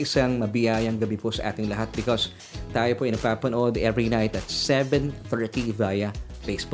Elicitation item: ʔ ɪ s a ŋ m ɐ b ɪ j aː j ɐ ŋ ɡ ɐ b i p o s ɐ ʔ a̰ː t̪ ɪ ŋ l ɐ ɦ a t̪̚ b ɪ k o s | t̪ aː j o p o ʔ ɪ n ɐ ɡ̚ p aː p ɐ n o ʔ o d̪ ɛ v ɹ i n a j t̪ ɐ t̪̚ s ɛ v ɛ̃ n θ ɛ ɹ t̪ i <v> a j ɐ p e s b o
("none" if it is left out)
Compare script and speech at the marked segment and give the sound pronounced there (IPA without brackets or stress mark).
v